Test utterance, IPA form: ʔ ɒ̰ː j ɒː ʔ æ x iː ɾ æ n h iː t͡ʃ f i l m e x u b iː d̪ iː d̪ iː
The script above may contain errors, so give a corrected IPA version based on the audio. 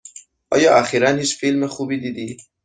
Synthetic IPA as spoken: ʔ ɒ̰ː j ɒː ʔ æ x iː ɾ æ n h iː t͡ʃ f i l m e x u b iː d̪ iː d̪ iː